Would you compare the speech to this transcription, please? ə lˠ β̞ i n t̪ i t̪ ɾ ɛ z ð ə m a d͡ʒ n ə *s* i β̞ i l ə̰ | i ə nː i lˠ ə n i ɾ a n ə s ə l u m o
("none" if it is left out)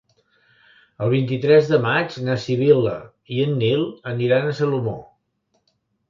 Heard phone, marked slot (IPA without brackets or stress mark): s